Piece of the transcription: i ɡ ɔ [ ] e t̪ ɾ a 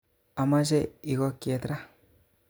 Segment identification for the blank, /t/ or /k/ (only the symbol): k